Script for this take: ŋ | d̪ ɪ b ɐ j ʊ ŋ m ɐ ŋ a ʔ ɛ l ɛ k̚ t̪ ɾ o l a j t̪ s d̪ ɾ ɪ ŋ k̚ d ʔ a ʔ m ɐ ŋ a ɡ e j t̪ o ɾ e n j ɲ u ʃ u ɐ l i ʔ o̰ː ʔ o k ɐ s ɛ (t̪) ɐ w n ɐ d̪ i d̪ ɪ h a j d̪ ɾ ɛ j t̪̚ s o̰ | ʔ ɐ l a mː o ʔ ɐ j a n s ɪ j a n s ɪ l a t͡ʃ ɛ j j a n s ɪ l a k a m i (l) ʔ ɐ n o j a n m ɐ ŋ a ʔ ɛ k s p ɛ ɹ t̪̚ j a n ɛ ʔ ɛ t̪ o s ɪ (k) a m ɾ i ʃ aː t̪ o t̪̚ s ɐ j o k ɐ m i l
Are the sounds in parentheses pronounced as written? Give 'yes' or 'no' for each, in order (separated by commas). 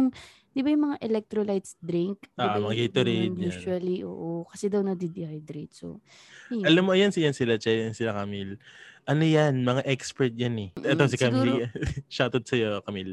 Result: no, yes, yes